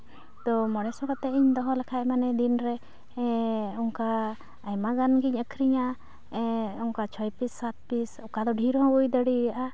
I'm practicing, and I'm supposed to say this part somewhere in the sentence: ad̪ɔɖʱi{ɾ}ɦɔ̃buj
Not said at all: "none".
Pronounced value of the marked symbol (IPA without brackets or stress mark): ɾ